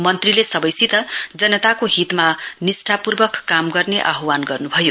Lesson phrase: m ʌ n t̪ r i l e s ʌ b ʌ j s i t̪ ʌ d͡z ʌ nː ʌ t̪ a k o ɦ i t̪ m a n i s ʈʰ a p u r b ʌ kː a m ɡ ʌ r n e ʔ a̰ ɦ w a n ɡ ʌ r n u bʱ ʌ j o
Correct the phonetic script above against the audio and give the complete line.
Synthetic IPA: m ʌ n t̪ r i l e s ʌ b ʌ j s i t̪ ʌ d͡z ʌ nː ʌ t̪ a k o ɦ i t̪ m a n i s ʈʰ a p u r b ʌ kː a m ɡ ʌ r n e ʔ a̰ ɦ w a n ɡ ʌ r n u bʱ ʌ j o